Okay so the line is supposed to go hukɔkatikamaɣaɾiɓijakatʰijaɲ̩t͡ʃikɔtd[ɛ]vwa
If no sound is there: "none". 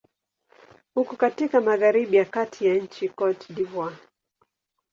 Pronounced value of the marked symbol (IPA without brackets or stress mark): i